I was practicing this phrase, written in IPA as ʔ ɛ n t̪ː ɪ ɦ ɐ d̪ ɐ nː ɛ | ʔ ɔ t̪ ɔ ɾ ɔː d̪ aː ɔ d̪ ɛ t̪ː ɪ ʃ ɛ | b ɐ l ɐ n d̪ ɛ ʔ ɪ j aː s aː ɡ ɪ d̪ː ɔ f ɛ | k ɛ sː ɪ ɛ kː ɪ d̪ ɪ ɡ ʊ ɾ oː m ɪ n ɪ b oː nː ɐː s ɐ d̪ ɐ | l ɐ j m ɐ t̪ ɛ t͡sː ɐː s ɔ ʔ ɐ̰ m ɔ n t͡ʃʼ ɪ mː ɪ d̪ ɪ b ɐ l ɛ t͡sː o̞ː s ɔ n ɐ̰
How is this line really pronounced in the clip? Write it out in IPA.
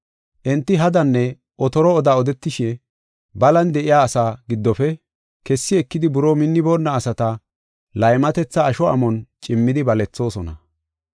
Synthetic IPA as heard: ʔ ɛ n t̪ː ɪ ɦ ɐ d̪ ɐ nː ɛ | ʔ ɔ t̪ ɔ ɾ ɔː d̪ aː ɔ d̪ ɛ t̪ː ɪ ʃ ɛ | b ɐ l ɐ n d̪ ɛ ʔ ɪ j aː s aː ɡ ɪ d̪ː ɔ f ɛ | k ɛ sː ɪ ɛ kː ɪ d̪ ɪ b ʊ ɾ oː m ɪ nː ɪ b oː nː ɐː s ɐ t̪ ɐ | l ɐ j m ɐ t̪ ɛ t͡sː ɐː ʃ ɔ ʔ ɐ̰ m ɔ n t͡ʃʼ ɪ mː ɪ d̪ ɪ b ɐ l ɛ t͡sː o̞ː s ɔ n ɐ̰

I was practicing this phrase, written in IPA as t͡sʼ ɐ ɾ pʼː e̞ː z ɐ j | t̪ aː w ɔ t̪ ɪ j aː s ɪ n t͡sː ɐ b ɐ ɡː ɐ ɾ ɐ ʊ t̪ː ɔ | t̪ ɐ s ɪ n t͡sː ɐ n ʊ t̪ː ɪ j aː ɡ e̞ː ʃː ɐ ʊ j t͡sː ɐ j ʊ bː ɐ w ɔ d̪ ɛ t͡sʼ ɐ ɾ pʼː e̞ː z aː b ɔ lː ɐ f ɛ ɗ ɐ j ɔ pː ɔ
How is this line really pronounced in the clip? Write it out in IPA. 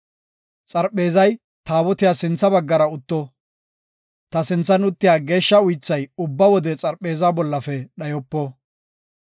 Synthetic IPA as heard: t͡sʼ ɐ ɾ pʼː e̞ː z ɐ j | t̪ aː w ɔ t̪ ɪ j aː s ɪ n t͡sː ɐ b ɐ ɡː ɐ ɾ ɐ ʊ t̪ː ɔ | t̪ ɐ s ɪ n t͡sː ɐ n ʊ t̪ː ɪ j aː ɡ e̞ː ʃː ɐ ʊ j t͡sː ɐ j ʊ bː ɐ w ɔ d̪ ɛ t͡sʼ ɐ ɾ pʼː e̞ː z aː b ɔ lː ɐ f ɛ ɗ ɐ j ɔ pː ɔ

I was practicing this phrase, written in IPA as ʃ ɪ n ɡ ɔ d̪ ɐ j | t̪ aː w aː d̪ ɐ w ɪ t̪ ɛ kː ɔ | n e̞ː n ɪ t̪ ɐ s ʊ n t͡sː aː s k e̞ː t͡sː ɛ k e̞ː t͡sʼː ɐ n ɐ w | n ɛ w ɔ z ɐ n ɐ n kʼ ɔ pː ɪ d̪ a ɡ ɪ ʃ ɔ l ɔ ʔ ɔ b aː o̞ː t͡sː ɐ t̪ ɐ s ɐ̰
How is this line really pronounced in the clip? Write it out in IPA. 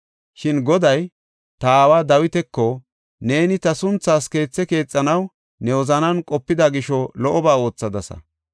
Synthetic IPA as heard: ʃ ɪ n ɡ ɔ d̪ ɐ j | t̪ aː w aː d̪ ɐ w ɪ t̪ ɛ kː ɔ | n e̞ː n ɪ t̪ ɐ s ʊ n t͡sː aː s k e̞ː t͡sː ɛ k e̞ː t͡sʼː ɐ n ɐ w | n ɛ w ɔ z ɐ n ɐ n kʼ ɔ pː ɪ d̪ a ɡ ɪ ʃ ɔ l ɔ ʔ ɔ b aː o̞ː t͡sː ɐ d̪ ɐ s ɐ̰

